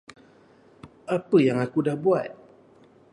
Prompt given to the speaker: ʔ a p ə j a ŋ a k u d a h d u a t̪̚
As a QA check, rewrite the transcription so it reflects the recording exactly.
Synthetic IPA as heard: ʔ a p ə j a ŋ a k u d a h b u a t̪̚